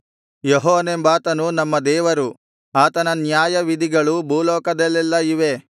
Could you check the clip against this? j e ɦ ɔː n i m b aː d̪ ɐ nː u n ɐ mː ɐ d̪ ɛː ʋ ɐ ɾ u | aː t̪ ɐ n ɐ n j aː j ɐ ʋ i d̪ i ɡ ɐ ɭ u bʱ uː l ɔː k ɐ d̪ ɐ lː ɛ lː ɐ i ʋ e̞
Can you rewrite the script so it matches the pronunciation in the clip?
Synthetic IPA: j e ɦ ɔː n e m b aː t̪ ɐ n u n ɐ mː ɐ d̪ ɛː ʋ ɐ ɾ u | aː t̪ ɐ n ɐ n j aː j ɐ ʋ i d̪ i ɡ ɐ ɭ u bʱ uː l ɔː k ɐ d̪ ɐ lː ɛ lː ɐ i ʋ e̞

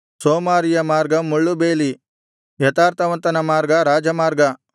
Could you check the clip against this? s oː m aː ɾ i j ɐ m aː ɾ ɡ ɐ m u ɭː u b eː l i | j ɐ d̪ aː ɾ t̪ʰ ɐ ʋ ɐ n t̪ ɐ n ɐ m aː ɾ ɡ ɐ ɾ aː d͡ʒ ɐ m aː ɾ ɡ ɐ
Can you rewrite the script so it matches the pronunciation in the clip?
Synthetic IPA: s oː m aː ɾ i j ɐ m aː ɾ ɡ ɐ m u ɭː u b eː l i | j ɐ t̪ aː ɾ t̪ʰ ɐ ʋ ɐ n t̪ ɐ n ɐ m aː ɾ ɡ ɐ ɾ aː d͡ʒ ɐ m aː ɾ ɡ ɐ

